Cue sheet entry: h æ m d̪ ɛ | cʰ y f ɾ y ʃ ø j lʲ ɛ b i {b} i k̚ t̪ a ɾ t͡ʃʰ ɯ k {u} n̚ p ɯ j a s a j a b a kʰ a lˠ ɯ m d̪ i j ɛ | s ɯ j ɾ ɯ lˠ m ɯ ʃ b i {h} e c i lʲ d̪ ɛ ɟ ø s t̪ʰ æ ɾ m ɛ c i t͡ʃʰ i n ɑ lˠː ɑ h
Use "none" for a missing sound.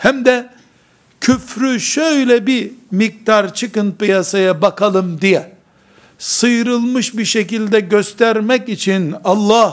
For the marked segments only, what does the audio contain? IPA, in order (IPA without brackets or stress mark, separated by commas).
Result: m, ɯ, ʃ